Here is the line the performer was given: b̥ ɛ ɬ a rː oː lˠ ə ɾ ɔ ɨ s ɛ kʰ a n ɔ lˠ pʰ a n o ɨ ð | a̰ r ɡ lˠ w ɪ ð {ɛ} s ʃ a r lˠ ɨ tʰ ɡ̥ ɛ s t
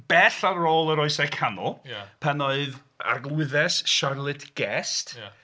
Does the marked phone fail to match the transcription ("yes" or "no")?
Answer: no